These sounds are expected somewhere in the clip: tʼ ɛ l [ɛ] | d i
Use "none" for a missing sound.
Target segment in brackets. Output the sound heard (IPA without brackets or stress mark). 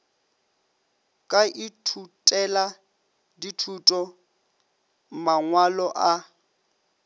a